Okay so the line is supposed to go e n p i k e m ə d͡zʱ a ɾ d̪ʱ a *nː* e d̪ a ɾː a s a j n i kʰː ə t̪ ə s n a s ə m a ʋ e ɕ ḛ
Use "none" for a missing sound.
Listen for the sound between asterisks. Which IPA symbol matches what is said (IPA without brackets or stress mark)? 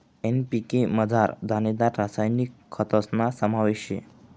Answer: n